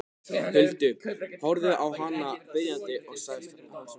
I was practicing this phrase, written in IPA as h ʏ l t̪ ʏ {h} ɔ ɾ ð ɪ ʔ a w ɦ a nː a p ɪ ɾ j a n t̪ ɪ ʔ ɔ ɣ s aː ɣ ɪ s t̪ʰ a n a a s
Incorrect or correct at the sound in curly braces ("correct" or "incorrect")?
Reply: correct